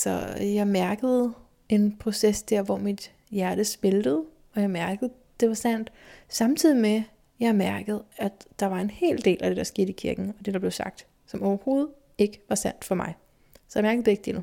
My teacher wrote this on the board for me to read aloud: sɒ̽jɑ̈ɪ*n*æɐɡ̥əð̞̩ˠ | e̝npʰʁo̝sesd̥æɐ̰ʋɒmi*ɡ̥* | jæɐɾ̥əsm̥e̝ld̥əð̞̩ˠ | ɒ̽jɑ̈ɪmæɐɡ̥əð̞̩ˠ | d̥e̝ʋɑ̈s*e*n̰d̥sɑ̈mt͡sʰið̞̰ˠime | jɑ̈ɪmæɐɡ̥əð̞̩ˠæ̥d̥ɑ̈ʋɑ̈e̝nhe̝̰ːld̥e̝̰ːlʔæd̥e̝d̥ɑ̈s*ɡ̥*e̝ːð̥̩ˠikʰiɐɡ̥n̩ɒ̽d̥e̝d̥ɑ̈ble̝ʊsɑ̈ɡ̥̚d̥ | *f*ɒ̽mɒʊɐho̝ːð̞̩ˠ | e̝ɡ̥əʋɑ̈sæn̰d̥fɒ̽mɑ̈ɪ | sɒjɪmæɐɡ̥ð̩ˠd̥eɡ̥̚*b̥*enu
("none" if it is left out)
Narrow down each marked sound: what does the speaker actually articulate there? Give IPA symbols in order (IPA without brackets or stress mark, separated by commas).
m, d̥, æ, ɡ̥, s, d̥